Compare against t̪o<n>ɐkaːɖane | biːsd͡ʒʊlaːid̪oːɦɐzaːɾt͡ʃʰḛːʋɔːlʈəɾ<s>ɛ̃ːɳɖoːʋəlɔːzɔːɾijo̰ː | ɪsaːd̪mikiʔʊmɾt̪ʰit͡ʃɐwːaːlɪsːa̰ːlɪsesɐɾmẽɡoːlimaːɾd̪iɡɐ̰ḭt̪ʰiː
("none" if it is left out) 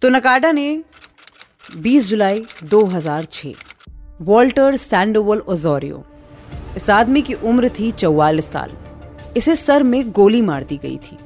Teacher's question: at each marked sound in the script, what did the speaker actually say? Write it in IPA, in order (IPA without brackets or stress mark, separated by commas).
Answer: n, s